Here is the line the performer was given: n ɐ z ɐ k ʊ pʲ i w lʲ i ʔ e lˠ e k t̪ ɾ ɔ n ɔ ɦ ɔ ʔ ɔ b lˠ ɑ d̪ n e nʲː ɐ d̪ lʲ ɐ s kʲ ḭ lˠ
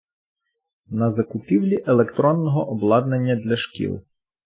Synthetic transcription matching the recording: n ɐ z ɐ k ʊ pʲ i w lʲ i ʔ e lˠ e k t̪ ɾ ɔ nː ɔ ɦ ɔ ʔ ɔ b lˠ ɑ d̪ n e nʲː ɐ d̪ lʲ ɐ ʃ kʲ ḭ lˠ